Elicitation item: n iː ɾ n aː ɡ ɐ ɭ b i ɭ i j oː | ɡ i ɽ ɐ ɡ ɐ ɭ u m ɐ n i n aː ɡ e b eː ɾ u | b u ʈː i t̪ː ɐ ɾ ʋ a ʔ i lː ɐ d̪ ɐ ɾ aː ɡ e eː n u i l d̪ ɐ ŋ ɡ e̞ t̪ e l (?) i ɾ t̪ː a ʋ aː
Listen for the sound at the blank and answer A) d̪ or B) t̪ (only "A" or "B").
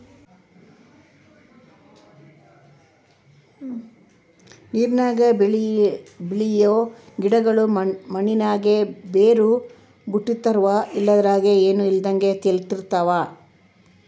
B